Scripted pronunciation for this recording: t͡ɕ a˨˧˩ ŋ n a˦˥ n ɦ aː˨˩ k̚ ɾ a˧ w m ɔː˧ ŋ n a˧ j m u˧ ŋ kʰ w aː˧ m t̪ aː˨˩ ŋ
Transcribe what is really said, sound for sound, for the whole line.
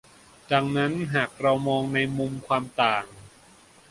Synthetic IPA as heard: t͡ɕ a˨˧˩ ŋ n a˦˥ n ɦ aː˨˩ k̚ ɾ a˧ w m ɔː˧ ŋ n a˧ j m u˧ m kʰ w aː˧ m t̪ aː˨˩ ŋ